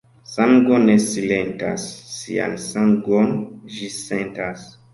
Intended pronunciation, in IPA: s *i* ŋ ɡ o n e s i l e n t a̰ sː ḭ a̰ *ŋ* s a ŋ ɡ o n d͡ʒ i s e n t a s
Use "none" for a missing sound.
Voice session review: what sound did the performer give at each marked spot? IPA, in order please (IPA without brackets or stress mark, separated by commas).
a, n